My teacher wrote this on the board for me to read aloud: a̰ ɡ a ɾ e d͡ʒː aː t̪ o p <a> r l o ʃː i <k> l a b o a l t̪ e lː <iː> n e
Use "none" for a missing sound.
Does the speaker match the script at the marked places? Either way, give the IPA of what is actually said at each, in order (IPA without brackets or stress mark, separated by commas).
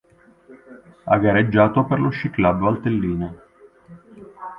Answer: e, k, iː